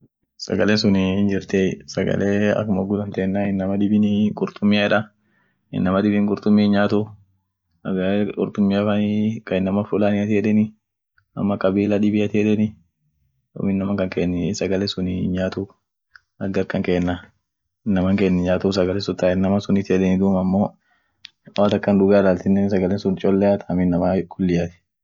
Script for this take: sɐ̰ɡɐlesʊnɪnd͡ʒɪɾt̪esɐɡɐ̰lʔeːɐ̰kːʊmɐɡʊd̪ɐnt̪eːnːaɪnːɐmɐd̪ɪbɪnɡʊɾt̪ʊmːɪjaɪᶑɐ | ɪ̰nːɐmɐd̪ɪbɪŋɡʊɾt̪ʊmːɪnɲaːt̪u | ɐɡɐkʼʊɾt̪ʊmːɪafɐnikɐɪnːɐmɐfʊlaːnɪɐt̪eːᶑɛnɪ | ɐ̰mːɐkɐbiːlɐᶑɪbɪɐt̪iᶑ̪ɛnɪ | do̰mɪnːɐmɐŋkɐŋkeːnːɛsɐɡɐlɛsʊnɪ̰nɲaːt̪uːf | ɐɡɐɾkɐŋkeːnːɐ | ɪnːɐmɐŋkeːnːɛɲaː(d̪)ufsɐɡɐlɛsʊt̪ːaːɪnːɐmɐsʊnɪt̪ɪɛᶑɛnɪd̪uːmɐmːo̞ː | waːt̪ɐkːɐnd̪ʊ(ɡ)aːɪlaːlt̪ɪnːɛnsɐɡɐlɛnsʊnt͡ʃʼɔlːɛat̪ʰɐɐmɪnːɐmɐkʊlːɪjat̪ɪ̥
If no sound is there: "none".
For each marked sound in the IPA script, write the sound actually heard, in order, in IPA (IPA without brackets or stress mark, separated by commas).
t̪, ɡ